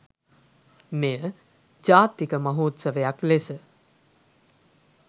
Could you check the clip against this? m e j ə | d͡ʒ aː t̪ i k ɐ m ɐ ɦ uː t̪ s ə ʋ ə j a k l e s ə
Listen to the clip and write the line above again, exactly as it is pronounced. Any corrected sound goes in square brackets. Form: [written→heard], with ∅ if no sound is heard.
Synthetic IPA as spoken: m e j ə | d͡ʒ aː t̪ i k [ɐ→ə] m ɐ ɦ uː t̪ s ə ʋ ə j a k l e s ə